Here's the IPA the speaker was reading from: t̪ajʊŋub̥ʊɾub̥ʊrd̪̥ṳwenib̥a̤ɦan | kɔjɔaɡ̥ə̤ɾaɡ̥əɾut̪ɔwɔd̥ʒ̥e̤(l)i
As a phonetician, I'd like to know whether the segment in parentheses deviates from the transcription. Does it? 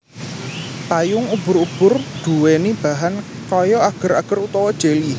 no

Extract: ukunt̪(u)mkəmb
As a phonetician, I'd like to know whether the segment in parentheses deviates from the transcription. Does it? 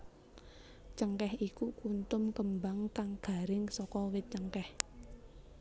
yes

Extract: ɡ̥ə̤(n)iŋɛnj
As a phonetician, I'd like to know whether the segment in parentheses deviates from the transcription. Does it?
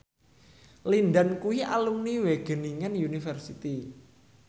no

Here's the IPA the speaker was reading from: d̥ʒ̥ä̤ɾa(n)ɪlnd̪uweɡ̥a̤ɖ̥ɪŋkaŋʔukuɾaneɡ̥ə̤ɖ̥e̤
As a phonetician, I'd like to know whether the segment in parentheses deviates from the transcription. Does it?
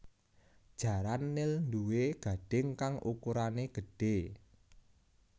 yes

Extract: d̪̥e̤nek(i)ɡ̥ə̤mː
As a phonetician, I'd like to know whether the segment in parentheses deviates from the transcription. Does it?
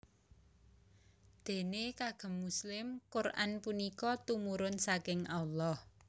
yes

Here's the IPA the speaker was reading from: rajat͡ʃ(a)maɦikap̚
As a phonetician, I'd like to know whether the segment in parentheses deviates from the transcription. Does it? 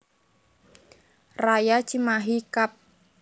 yes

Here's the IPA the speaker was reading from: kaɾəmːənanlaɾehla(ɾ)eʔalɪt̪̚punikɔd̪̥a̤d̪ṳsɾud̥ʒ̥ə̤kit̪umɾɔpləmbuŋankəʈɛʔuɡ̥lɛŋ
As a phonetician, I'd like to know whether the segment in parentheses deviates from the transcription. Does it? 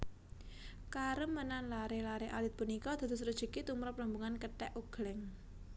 no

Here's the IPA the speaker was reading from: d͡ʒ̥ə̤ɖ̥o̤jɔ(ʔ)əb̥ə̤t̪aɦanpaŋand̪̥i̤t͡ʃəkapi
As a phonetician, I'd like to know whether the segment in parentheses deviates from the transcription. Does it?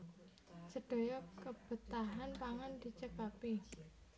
yes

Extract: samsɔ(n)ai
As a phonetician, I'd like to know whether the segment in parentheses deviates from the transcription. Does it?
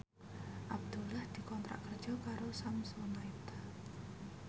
no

